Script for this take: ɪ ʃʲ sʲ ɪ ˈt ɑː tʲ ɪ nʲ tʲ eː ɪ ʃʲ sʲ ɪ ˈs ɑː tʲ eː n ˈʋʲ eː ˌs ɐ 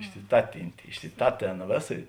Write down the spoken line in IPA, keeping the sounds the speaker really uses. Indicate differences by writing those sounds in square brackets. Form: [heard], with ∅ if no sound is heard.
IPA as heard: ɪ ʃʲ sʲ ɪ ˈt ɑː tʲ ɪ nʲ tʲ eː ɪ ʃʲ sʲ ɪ [ˈt] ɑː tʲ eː n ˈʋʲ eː ˌs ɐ